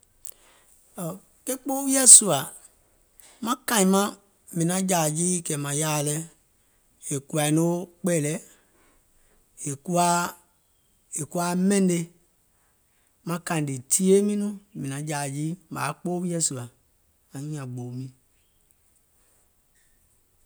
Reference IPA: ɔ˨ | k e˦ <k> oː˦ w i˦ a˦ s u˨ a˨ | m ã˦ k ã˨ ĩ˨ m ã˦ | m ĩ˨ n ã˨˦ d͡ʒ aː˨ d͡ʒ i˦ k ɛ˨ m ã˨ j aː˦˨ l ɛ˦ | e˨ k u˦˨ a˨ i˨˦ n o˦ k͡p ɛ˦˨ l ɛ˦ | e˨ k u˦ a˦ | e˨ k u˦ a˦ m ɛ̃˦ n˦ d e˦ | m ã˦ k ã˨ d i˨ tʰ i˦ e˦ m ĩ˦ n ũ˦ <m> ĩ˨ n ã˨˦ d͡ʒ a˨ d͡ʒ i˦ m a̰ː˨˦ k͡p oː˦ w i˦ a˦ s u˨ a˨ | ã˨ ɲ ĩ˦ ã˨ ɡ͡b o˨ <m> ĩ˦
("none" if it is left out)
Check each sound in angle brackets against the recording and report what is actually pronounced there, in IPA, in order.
k͡p, m, m

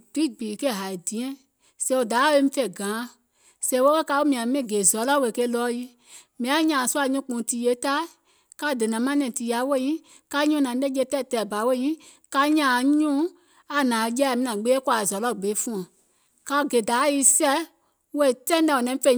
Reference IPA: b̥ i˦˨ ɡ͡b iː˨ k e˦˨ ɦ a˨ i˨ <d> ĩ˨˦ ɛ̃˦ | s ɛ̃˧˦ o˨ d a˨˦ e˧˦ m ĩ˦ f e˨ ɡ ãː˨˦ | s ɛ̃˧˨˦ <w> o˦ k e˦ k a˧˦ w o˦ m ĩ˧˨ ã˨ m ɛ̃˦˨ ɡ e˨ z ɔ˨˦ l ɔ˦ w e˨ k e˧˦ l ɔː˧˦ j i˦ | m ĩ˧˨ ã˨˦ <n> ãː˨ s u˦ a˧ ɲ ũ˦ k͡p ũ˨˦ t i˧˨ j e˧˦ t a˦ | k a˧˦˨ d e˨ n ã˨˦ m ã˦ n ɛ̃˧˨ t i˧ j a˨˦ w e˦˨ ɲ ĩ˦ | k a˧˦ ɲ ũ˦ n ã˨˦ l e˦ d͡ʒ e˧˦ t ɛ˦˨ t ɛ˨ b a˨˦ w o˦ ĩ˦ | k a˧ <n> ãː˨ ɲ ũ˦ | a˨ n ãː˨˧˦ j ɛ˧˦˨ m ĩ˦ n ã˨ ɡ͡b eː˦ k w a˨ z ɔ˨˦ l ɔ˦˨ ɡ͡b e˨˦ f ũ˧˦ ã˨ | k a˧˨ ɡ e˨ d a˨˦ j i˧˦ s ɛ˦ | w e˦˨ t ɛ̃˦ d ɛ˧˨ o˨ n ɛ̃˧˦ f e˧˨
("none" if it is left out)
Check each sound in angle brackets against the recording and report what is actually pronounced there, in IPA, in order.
d, w, ɲ, ɲ

